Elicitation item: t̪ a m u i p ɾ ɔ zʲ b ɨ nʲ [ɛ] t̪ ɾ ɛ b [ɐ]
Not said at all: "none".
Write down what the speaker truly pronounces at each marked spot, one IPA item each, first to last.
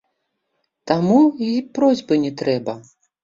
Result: ɛ, ɐ

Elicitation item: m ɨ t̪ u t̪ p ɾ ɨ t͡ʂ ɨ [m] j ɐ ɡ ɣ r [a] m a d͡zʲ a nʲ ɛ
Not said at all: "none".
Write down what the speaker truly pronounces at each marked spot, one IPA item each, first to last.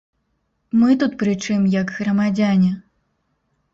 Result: m, ɐ

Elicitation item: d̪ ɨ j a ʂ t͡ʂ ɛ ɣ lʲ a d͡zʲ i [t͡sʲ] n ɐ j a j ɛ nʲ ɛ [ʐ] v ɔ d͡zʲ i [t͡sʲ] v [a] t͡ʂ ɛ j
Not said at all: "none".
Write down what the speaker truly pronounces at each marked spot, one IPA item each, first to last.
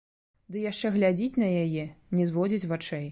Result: t͡sʲ, z, t͡sʲ, a

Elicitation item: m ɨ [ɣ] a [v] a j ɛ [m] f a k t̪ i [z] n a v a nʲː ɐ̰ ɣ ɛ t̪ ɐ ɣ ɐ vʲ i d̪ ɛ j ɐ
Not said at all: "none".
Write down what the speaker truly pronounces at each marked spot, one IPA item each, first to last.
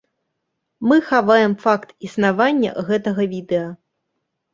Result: x, v, m, s

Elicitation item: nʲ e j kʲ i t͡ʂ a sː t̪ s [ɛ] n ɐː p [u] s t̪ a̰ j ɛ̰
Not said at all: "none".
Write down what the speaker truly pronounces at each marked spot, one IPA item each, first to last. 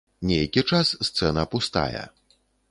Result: ɛ, u

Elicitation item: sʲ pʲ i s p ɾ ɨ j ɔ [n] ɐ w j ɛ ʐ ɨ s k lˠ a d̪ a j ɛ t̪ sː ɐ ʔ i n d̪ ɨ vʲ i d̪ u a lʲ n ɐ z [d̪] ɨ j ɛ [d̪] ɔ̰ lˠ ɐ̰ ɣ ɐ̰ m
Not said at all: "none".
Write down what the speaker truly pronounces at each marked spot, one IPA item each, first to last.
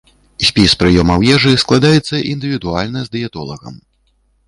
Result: m, d̪, t̪

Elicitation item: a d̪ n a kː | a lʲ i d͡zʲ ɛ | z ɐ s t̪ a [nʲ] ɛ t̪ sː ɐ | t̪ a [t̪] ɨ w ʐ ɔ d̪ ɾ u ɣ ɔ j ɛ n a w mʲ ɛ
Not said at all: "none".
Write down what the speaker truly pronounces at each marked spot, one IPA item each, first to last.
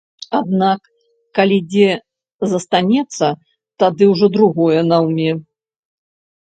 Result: nʲ, d̪

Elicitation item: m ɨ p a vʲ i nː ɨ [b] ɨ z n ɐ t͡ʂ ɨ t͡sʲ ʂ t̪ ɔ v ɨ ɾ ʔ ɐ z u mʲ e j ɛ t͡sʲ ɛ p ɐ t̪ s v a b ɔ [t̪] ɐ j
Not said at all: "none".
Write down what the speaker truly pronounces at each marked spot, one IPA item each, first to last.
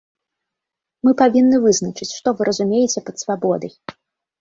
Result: v, d̪

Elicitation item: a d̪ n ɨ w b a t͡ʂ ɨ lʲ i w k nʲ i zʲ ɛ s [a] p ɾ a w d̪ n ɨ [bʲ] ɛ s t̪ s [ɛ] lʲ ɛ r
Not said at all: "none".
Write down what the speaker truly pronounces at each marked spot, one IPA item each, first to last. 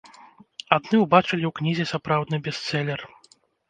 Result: a, bʲ, ɛ

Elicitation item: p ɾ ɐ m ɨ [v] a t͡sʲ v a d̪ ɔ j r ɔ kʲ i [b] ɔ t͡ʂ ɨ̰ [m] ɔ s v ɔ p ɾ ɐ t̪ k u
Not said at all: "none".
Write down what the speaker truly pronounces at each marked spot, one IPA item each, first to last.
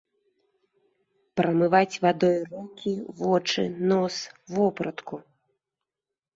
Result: v, v, n

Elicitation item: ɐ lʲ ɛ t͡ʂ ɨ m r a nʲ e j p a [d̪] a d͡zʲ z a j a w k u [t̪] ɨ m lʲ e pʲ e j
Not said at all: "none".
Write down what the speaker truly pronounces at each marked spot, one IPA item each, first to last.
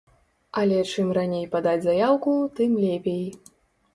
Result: d̪, t̪

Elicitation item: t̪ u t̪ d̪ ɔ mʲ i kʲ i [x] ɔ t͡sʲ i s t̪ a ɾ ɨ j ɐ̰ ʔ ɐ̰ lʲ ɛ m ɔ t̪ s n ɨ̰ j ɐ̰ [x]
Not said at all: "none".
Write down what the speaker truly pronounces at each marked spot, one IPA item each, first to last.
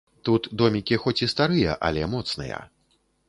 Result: x, none

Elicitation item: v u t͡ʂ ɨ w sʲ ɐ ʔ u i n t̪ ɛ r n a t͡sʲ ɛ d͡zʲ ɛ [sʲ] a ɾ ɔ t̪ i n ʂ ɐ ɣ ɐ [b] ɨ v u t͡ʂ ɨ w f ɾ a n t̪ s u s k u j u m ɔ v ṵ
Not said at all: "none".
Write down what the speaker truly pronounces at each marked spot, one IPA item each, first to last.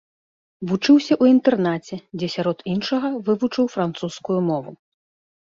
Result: sʲ, v

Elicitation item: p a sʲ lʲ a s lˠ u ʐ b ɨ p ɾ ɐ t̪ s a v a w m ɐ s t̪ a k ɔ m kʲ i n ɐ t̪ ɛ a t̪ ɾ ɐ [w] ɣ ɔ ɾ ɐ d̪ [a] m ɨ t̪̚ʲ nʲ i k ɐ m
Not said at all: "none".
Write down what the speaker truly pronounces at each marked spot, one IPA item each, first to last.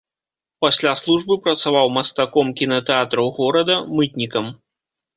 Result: w, ɐ

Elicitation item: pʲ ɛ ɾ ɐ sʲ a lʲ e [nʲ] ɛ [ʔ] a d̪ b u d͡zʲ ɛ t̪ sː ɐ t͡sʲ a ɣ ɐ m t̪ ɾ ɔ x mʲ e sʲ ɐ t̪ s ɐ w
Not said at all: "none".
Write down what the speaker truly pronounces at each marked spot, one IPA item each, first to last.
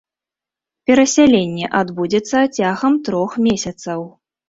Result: nʲː, ʔ

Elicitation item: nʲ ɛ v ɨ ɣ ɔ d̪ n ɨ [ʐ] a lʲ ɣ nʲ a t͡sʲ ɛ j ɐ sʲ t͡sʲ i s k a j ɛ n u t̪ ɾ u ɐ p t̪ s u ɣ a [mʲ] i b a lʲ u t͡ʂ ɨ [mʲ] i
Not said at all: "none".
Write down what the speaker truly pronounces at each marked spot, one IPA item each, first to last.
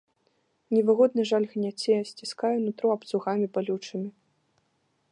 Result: ʐ, mʲ, mʲ

